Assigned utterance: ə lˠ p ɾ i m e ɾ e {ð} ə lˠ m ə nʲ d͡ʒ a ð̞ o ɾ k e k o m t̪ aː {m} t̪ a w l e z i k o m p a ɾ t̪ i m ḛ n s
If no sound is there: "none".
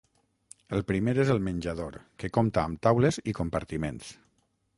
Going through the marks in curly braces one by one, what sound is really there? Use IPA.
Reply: z, m

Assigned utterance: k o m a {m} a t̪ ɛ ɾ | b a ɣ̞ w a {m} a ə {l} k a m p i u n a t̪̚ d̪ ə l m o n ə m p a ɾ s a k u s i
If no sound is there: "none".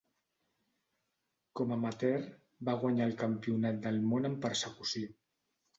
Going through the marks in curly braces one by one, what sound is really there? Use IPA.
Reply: m, ɲ, l

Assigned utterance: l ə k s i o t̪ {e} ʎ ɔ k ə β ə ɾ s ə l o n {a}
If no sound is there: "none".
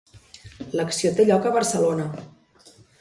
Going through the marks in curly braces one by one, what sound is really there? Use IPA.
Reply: e, ə

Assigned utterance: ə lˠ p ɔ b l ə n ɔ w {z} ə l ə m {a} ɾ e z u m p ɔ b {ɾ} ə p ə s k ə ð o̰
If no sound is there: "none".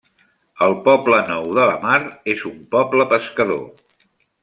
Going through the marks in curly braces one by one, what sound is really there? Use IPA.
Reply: ð, a, l

